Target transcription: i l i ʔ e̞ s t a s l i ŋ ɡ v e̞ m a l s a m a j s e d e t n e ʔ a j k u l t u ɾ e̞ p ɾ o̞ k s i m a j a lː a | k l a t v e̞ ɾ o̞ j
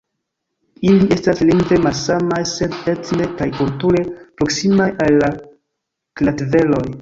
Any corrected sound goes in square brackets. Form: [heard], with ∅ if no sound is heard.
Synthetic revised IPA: i l i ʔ e̞ s t a s l i ŋ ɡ v e̞ m a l s a m a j s e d e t n e [k] a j k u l t u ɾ e̞ p ɾ o̞ k s i m a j a lː a | k l a t v e̞ [l] o̞ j

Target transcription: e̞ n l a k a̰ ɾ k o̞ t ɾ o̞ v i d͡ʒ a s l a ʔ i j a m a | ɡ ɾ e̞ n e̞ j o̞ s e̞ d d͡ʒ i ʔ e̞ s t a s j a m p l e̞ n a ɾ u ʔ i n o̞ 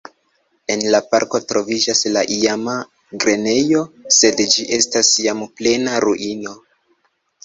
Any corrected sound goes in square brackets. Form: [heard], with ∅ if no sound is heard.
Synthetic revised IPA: e̞ n l a [p] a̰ ɾ k o̞ t ɾ o̞ v i d͡ʒ a s l a ʔ i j a m a | ɡ ɾ e̞ n e̞ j o̞ s e̞ d d͡ʒ i ʔ e̞ s t a s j a m p l e̞ n a ɾ u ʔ i n o̞

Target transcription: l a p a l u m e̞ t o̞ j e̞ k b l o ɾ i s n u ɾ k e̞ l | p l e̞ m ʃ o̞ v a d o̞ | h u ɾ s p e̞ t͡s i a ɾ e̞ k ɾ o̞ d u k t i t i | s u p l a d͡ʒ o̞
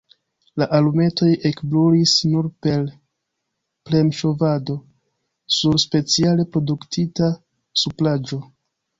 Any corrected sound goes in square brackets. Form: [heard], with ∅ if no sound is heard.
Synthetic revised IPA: l a [ʔ] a l u m e̞ t o̞ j e̞ k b l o ɾ i s n u ɾ [p] e̞ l | p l e̞ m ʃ o̞ v a d o̞ | [s] u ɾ s p e̞ t͡s i a [l] e̞ [p] ɾ o̞ d u k t i t [a] | s u p l a d͡ʒ o̞

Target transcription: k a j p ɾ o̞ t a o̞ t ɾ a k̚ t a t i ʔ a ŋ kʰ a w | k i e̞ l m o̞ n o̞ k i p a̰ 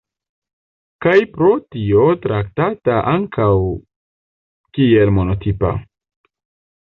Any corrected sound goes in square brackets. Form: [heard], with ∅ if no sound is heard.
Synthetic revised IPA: k a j p ɾ o̞ t [i] o̞ t ɾ a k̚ t a t [a] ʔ a ŋ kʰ a w | k i e̞ l m o̞ n o̞ [t] i p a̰

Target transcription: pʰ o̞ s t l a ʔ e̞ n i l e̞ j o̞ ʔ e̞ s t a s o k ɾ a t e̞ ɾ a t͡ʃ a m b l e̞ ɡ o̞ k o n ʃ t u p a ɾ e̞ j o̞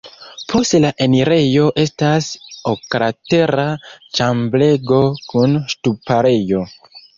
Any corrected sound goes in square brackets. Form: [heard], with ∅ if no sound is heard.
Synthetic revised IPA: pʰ o̞ s t l a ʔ e̞ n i [ɾ] e̞ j o̞ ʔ e̞ s t a s o k ɾ a t e̞ ɾ a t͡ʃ a m b l e̞ ɡ o̞ k [u] n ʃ t u p a ɾ e̞ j o̞

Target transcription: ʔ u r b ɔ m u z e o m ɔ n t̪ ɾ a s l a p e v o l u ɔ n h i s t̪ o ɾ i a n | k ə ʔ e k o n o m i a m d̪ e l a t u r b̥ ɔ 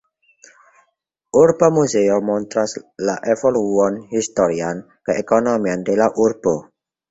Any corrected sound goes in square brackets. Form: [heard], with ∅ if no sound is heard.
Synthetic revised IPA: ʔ u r b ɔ m u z e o m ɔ n t̪ ɾ a s l a [ʔ] e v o l u ɔ n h i s t̪ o ɾ i a n | k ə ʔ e k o n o m i a [n] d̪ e l a [ʔ] u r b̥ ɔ

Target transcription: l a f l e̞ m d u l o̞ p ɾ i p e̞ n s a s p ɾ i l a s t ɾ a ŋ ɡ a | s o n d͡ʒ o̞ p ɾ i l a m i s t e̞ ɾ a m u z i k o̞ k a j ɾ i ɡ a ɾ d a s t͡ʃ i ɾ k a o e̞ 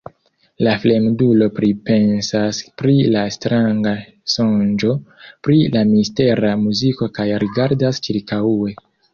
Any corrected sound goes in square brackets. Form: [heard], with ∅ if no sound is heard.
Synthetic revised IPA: l a f l e̞ m d u l o̞ p ɾ i p e̞ n s a s p ɾ i l a s t ɾ a ŋ ɡ a | s o n d͡ʒ o̞ p ɾ i l a m i s t e̞ ɾ a m u z i k o̞ k a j ɾ i ɡ a ɾ d a s t͡ʃ i ɾ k a [u] e̞

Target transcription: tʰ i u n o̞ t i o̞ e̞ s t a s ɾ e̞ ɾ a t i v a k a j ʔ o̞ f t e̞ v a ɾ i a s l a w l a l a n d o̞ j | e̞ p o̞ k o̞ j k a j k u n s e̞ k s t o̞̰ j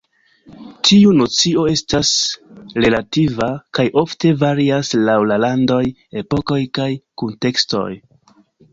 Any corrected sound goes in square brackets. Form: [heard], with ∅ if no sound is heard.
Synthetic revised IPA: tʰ i u n o̞ [t͡s] i o̞ e̞ s t a s ɾ e̞ [l] a t i v a k a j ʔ o̞ f t e̞ v a ɾ i a s l a w l a l a n d o̞ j | e̞ p o̞ k o̞ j k a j k u n [t] e̞ k s t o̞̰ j

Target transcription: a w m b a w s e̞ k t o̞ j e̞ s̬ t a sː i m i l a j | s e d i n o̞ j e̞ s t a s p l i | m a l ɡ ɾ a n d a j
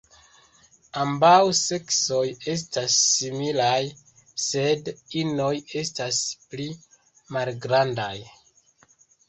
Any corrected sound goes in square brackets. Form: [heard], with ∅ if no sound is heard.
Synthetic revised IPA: a [∅] m b a w s e̞ k [s] o̞ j e̞ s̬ t a sː i m i l a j | s e d i n o̞ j e̞ s t a s p l i | m a l ɡ ɾ a n d a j

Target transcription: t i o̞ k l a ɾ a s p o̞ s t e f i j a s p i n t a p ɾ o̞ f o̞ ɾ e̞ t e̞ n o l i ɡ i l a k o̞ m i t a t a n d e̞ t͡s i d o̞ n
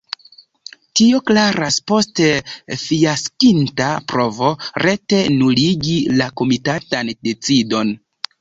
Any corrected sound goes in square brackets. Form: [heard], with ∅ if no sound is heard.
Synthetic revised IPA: t i o̞ k l a ɾ a s p o̞ s t e f i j a s [k] i n t a p ɾ o̞ [v] o̞ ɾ e̞ t e̞ n [u] l i ɡ i l a k o̞ m i t a t a n d e̞ t͡s i d o̞ n

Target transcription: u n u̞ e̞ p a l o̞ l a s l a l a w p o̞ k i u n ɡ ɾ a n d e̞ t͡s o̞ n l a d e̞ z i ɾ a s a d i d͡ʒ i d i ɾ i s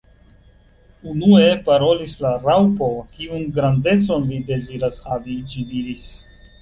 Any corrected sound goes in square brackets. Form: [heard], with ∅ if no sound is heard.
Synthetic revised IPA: u n u̞ e̞ p a [ɾ] o̞ l [i] s l a [ɾ] a w p o̞ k i u n ɡ ɾ a n d e̞ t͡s o̞ n l [i] d e̞ z i ɾ a s a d i d͡ʒ i d i ɾ i s

